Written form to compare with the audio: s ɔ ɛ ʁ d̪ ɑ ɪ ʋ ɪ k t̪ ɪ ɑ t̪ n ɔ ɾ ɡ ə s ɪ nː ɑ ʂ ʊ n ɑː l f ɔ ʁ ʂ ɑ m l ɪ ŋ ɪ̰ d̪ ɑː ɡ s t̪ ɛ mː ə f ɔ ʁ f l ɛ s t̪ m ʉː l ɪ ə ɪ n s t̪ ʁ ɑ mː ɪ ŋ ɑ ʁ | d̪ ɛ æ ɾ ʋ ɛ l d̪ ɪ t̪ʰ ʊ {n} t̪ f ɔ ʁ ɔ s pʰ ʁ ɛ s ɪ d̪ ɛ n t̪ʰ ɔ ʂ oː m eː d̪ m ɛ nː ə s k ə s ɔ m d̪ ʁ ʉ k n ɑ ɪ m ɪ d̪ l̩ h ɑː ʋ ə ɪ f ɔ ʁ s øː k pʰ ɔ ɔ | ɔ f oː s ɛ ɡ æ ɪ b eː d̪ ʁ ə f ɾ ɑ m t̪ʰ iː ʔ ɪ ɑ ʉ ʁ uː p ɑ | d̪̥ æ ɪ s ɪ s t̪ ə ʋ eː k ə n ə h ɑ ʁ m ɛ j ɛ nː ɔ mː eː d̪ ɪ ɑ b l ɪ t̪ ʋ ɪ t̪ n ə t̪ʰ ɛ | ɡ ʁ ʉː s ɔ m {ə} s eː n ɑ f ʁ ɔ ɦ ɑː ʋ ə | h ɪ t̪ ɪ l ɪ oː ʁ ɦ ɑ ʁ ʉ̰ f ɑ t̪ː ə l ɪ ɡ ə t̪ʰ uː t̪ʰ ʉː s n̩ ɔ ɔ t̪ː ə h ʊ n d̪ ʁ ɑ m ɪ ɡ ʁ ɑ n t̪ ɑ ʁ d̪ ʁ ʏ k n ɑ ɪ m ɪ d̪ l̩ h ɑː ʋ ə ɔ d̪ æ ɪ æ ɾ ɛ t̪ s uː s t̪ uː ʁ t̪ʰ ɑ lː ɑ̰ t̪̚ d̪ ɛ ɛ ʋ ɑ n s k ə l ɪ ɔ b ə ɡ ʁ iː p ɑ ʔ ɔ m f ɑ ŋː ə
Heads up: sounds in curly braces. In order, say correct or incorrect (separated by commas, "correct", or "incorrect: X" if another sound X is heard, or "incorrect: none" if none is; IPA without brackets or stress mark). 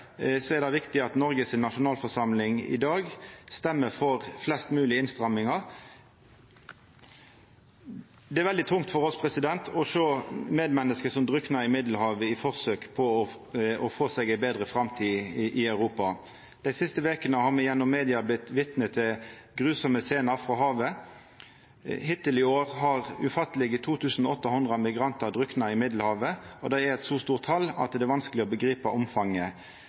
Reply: incorrect: ŋ, correct